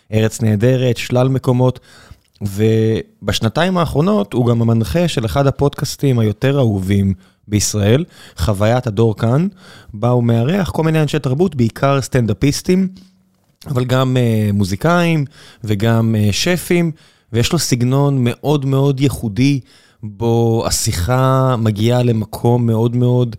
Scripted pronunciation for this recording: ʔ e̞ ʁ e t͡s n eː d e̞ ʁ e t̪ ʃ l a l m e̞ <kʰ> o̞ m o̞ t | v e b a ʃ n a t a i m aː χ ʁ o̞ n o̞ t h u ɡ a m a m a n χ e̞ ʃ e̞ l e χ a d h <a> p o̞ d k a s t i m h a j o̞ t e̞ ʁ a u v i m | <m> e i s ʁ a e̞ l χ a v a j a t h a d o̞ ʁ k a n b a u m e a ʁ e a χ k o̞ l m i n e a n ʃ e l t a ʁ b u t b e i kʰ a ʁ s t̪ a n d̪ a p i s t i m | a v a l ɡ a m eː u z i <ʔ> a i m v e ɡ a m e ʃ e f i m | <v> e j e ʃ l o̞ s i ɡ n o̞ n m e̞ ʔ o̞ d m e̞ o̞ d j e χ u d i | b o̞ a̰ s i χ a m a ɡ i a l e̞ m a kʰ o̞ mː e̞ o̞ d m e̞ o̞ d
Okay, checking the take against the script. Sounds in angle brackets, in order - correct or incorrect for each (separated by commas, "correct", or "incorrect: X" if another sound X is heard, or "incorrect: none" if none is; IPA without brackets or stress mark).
incorrect: k, correct, incorrect: b, incorrect: k, correct